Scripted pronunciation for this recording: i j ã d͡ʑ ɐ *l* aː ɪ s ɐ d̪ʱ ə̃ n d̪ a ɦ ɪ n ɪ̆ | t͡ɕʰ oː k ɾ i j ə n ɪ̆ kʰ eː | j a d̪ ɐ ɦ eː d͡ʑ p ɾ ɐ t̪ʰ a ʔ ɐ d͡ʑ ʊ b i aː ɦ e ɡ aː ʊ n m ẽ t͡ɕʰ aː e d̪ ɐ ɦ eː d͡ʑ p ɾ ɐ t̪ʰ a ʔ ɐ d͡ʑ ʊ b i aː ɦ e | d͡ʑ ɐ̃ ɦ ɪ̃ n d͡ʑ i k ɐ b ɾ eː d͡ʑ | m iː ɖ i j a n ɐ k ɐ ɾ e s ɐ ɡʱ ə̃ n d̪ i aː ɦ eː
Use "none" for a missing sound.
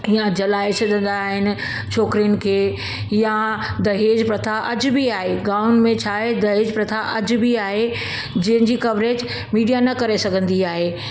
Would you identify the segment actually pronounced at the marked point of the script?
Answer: l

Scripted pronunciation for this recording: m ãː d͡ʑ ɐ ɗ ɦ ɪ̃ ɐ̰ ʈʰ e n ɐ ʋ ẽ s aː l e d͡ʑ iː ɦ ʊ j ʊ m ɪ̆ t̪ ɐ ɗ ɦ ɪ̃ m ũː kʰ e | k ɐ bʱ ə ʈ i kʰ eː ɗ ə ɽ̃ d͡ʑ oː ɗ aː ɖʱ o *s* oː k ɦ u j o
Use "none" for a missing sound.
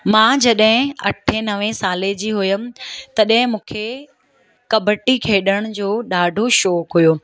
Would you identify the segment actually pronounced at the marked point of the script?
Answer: ʃ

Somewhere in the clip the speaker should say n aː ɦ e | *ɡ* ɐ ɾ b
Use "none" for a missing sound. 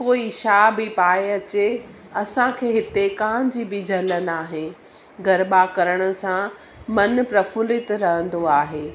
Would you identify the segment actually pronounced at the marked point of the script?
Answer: ɡ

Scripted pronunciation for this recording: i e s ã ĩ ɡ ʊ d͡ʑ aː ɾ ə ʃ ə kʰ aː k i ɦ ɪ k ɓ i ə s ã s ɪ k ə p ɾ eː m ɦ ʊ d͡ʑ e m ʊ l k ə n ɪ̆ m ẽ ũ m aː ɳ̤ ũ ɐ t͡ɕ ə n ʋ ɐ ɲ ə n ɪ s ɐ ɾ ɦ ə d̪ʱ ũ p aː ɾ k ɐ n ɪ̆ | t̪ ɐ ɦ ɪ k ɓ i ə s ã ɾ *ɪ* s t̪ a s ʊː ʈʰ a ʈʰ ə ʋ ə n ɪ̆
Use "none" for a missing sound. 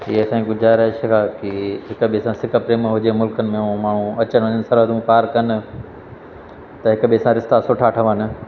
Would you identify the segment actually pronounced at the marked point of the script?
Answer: ɪ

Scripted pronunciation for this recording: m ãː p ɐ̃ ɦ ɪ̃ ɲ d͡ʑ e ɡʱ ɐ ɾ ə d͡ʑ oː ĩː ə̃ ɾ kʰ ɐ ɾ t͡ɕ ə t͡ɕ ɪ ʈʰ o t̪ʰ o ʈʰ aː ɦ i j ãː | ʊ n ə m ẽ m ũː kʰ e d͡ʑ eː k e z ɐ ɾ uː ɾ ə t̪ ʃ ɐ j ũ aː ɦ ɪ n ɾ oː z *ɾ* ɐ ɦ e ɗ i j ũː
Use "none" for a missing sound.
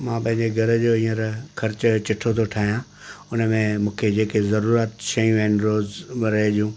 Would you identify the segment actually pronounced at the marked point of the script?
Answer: ɾ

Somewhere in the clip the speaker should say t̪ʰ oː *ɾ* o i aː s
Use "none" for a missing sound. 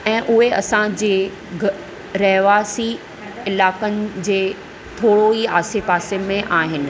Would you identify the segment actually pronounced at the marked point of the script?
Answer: ɽ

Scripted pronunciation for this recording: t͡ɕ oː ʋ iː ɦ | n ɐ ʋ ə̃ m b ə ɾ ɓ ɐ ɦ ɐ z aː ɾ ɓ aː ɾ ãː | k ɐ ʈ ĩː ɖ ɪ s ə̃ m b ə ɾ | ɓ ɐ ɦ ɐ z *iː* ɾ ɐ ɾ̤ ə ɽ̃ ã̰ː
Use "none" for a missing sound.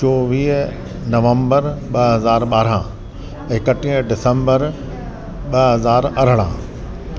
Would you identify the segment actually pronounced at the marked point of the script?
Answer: aː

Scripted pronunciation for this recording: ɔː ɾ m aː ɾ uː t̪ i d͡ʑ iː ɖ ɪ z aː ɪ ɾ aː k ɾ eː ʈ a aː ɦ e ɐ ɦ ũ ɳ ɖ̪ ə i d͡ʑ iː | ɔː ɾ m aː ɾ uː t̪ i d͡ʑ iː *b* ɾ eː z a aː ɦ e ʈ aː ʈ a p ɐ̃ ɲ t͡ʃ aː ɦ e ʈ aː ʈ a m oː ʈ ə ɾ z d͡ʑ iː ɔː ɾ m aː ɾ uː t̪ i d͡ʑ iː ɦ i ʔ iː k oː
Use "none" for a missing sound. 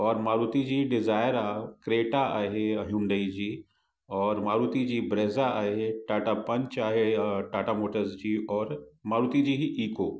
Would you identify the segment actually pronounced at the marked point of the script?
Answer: b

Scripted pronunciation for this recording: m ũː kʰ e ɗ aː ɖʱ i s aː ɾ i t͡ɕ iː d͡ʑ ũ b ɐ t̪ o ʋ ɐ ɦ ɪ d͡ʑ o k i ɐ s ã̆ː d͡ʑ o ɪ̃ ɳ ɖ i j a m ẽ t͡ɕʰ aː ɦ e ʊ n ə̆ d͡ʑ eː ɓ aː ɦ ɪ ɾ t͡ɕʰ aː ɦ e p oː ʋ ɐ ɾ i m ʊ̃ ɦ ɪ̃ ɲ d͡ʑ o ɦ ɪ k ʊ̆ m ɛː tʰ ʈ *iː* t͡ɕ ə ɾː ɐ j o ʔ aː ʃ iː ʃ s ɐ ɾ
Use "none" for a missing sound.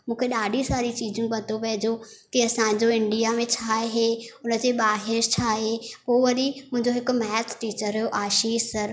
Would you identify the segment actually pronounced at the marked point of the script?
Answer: iː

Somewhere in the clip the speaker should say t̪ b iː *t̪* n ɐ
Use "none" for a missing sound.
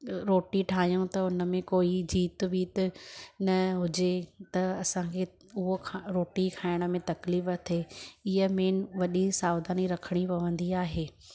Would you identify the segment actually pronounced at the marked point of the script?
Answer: t̪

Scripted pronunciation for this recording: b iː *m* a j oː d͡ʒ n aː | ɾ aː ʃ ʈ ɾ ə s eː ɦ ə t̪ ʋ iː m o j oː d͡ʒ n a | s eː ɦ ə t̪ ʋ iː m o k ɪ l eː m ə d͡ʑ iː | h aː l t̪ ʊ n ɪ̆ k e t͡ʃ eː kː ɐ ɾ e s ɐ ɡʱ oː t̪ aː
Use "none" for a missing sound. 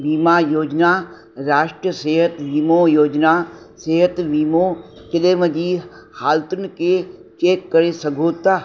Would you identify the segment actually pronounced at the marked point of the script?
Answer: m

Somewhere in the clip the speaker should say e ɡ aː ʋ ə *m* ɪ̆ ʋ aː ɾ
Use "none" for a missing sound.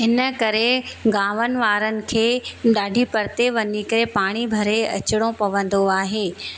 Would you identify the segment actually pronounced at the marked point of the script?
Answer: n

